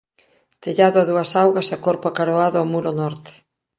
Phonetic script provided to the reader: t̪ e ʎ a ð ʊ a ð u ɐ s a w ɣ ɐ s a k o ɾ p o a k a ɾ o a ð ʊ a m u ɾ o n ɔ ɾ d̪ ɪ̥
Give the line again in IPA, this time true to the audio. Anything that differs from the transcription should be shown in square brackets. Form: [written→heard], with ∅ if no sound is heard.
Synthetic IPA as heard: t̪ e ʎ a ð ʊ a ð u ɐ s a w ɣ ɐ s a k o ɾ p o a k a ɾ o a ð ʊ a m u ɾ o n ɔ ɾ [d̪→t̪] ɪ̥